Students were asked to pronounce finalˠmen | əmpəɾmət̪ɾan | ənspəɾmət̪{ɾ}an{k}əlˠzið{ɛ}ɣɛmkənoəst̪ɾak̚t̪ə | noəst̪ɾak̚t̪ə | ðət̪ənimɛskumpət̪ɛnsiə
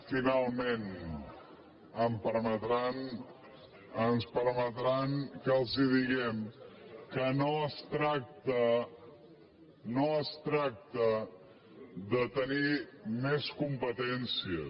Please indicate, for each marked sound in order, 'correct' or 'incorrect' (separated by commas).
correct, correct, incorrect